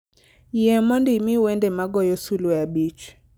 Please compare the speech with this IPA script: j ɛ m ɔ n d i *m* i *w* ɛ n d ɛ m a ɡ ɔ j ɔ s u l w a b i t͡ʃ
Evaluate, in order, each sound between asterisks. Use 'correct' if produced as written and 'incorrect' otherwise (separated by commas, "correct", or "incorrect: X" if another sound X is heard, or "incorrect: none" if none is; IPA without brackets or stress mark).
correct, correct